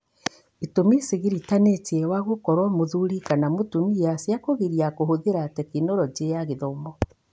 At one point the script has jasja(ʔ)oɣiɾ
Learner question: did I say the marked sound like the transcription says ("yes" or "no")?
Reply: no